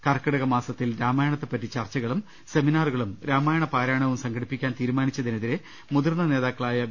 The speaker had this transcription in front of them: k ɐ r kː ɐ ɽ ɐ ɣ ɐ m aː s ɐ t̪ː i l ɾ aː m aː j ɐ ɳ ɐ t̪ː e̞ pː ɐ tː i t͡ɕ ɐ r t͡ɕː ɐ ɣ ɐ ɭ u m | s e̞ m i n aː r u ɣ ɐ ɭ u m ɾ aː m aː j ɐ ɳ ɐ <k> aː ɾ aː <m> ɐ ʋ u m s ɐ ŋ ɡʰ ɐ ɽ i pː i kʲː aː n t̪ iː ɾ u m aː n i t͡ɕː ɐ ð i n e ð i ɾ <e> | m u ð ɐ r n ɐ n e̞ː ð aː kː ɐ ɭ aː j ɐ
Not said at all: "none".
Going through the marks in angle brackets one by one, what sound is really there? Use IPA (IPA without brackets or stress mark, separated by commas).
p, ɳ, e